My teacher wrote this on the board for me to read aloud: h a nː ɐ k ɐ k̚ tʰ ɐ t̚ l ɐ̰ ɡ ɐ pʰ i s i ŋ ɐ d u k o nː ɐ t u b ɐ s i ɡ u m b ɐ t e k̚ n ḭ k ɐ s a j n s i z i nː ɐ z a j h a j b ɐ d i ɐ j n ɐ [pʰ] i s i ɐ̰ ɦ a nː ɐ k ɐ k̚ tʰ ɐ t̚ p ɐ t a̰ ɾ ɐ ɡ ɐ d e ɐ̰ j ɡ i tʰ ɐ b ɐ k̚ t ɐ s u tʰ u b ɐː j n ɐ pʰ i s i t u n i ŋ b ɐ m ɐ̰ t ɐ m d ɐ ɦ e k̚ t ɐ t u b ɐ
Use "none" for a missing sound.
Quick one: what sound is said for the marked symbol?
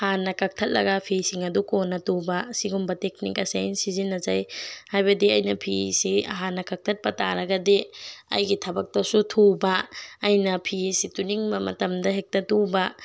pʰ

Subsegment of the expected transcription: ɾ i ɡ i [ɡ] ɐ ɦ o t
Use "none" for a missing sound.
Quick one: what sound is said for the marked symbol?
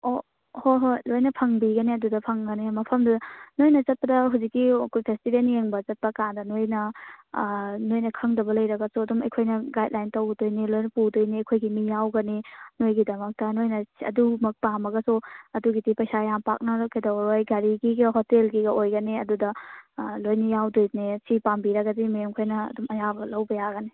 ɡ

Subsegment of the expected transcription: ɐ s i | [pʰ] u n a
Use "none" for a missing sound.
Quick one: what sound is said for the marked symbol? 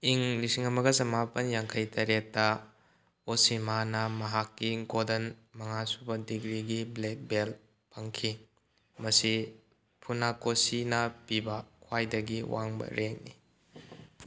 pʰ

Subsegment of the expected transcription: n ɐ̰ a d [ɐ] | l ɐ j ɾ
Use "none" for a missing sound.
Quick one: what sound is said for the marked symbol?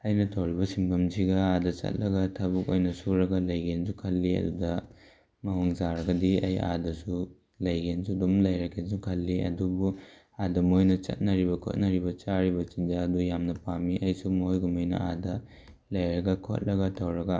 ɐ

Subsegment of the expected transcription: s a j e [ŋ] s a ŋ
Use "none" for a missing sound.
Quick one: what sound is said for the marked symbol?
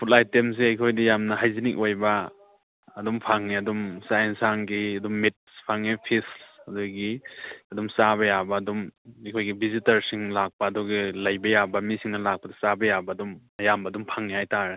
n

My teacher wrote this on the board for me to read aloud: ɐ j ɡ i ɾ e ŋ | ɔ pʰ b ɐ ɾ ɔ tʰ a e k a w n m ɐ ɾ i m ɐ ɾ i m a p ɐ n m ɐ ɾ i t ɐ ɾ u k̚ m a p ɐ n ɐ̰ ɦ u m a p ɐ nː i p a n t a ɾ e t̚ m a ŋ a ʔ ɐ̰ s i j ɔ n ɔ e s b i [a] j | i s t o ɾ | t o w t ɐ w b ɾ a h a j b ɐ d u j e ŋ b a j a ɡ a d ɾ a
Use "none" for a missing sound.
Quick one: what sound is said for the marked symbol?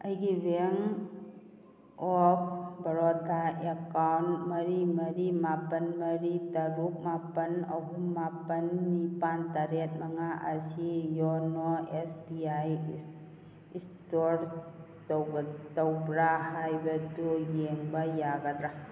a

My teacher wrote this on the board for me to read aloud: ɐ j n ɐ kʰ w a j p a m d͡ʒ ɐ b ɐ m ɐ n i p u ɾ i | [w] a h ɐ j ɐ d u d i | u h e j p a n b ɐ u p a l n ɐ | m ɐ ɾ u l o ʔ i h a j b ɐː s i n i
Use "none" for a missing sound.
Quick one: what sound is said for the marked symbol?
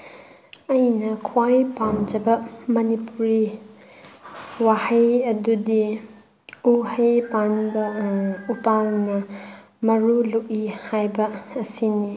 w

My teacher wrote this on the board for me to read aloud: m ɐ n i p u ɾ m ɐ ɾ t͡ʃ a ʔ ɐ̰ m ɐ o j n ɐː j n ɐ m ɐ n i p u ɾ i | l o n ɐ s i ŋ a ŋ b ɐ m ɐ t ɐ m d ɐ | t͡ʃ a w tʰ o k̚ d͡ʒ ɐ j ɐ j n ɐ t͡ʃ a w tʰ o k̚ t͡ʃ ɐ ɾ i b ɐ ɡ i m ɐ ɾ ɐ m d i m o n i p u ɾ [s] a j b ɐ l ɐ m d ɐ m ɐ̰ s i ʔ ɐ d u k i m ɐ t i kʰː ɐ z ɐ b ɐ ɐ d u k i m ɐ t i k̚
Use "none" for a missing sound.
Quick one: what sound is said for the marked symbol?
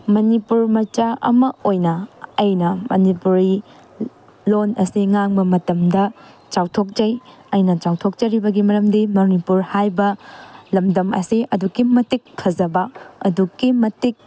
h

